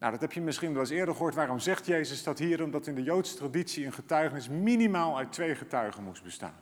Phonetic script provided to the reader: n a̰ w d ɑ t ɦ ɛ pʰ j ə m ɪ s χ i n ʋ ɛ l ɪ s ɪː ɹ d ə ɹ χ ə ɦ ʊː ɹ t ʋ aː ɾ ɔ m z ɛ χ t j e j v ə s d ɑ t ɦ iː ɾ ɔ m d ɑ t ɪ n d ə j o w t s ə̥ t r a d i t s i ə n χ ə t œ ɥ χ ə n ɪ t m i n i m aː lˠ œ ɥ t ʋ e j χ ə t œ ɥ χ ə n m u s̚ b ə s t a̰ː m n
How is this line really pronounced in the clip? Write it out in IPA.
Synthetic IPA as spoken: n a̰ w d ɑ t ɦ ɛ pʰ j ə m ɪ s χ i n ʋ ɛ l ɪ s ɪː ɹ d ə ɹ χ ə ɦ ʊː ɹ t ʋ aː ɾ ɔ m z ɛ χ t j e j z ə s d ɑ t ɦ iː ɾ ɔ m d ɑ t ɪ n d ə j o w t s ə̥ t r a d i t s i ə n χ ə t œ ɥ χ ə n ɪ s m i n i m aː lˠ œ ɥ t ʋ e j χ ə t œ ɥ χ ə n m u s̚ b ə s t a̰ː n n